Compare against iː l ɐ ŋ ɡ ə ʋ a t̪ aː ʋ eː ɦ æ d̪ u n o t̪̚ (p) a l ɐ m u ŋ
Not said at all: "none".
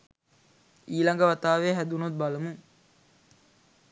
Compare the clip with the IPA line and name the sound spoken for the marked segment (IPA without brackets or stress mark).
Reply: b